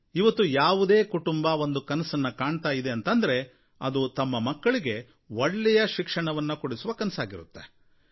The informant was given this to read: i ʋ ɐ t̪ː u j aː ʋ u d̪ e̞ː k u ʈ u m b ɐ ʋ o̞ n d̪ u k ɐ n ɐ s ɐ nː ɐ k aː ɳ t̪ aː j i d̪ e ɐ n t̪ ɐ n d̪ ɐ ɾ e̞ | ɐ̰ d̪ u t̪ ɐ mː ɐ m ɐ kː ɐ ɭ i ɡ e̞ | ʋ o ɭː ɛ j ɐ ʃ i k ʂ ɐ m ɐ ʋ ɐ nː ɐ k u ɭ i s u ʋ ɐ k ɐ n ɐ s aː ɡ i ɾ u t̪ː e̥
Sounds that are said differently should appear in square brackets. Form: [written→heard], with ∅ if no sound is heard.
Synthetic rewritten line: i ʋ ɐ t̪ː u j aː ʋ u d̪ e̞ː k u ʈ u m b ɐ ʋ o̞ n d̪ u k ɐ n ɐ s ɐ nː ɐ k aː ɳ t̪ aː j i d̪ e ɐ n t̪ ɐ n d̪ ɐ ɾ e̞ | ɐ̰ d̪ u t̪ ɐ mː ɐ m ɐ kː ɐ ɭ i ɡ e̞ | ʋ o ɭː ɛ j ɐ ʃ i k ʂ ɐ [m→ɳ] ɐ ʋ ɐ nː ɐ k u [ɭ→ɽ] i s u ʋ ɐ k ɐ n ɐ s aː ɡ i ɾ u t̪ː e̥